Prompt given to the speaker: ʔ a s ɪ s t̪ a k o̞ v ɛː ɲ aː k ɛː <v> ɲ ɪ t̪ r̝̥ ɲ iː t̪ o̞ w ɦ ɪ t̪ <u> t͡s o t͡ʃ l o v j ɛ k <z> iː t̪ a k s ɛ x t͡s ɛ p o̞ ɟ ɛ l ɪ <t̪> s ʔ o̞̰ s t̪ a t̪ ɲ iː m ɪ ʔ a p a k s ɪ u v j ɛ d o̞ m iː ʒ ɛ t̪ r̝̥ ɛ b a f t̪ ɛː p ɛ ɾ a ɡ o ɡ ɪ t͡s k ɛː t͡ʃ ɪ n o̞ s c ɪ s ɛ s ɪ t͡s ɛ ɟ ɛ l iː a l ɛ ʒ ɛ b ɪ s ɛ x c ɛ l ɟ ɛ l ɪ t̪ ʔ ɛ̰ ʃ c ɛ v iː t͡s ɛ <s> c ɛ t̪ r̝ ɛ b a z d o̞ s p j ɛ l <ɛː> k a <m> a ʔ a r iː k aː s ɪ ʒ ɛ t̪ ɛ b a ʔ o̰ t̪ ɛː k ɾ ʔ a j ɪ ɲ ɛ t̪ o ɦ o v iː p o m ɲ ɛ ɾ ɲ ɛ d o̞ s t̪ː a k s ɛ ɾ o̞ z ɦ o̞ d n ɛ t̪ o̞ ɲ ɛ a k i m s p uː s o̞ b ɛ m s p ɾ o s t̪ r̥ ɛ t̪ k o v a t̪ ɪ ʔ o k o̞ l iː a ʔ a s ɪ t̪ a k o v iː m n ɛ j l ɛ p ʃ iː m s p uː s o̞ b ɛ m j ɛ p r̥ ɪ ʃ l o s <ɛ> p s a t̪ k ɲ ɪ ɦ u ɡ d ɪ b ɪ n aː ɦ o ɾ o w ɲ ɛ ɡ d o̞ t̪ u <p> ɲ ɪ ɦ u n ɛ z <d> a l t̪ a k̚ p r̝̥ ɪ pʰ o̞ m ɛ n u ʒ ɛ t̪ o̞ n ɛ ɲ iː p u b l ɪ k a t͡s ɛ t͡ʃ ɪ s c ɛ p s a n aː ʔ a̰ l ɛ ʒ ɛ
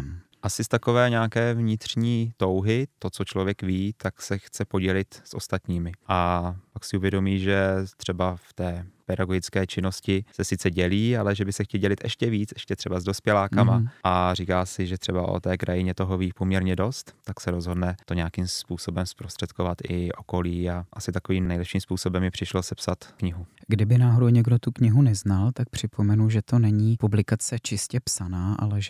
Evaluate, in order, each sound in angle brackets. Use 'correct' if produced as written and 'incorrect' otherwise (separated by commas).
correct, incorrect, incorrect, correct, incorrect, incorrect, correct, correct, incorrect, incorrect